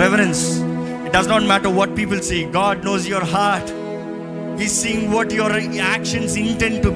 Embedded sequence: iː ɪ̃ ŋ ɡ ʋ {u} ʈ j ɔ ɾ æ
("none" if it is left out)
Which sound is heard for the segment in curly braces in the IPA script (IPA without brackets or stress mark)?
ɔ